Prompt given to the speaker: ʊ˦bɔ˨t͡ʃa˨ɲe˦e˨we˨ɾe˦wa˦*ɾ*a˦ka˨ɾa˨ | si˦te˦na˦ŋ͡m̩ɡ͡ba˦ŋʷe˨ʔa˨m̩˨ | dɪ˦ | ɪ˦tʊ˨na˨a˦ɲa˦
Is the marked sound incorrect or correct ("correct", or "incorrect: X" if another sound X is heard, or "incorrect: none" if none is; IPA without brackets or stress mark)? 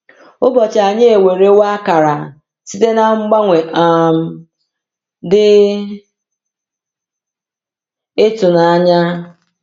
incorrect: none